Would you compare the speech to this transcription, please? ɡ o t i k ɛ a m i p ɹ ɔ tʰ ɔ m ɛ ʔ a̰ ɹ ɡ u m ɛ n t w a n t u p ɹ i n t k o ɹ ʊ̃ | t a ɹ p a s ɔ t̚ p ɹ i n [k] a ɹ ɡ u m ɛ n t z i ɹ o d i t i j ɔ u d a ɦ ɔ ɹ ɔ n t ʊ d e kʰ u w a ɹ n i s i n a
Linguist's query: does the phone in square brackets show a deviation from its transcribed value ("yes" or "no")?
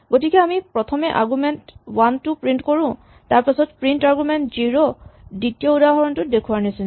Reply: yes